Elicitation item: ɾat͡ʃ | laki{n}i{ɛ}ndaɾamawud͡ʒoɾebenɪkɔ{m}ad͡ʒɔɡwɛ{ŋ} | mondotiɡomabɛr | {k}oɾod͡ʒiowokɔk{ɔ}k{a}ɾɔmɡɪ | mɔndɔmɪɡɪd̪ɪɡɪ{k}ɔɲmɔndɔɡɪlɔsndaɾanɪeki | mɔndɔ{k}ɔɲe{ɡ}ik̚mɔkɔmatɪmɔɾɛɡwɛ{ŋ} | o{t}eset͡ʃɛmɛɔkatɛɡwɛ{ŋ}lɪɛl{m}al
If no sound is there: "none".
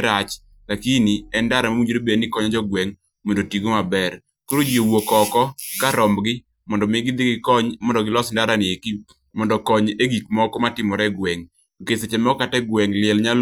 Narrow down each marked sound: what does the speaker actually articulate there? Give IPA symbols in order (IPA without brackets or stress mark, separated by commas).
n, ɛ, ɲ, ŋ, k, ɔ, a, k, k, ɡ, ŋ, k, ŋ, ɲ